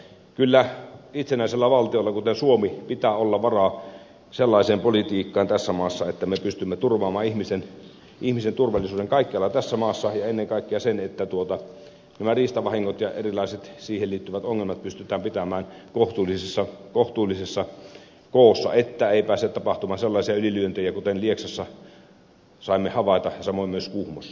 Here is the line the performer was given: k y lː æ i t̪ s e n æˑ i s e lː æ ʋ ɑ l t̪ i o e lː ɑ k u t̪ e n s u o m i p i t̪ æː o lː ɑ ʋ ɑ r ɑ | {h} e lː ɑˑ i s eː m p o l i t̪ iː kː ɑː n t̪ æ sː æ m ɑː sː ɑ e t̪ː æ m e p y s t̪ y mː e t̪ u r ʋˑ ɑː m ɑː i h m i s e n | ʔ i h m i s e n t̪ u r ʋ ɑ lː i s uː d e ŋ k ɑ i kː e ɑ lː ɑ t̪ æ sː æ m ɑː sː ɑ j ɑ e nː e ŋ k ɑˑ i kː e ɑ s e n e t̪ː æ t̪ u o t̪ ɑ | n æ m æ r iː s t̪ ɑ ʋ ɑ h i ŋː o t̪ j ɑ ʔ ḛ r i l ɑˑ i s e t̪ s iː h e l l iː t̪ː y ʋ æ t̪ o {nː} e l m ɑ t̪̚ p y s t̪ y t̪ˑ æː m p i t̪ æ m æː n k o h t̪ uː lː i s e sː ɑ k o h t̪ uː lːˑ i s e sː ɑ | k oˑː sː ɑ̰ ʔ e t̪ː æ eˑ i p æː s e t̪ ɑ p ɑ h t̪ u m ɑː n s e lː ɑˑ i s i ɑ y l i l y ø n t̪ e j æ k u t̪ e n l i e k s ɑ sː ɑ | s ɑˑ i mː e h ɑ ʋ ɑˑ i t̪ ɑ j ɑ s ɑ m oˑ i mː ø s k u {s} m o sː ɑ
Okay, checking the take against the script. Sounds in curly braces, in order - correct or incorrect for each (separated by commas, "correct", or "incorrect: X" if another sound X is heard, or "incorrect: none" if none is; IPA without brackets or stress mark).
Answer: incorrect: s, incorrect: ŋː, incorrect: h